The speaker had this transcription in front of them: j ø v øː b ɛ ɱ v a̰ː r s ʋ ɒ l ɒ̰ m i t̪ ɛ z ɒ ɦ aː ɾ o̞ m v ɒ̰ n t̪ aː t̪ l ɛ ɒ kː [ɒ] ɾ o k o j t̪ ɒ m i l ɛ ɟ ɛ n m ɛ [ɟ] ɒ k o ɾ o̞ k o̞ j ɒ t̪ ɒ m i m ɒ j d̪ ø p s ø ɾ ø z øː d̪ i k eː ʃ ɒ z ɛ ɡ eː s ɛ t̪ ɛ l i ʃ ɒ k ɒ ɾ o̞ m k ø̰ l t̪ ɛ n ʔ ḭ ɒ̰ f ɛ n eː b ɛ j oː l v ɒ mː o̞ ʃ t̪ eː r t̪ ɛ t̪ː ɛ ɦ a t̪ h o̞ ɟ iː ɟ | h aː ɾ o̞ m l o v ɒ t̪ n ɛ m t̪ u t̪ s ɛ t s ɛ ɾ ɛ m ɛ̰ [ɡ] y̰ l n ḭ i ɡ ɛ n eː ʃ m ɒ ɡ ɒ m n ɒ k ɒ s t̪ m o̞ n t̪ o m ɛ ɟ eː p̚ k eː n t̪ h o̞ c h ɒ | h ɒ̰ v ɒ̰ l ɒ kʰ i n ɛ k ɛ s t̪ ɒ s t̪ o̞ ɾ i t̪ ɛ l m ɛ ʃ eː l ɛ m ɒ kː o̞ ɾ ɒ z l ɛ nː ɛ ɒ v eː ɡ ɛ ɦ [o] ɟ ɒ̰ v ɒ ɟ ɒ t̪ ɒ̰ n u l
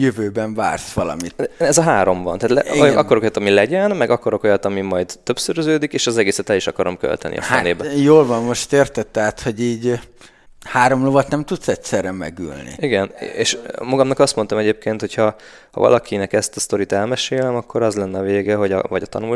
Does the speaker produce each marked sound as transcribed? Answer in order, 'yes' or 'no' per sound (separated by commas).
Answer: no, no, yes, yes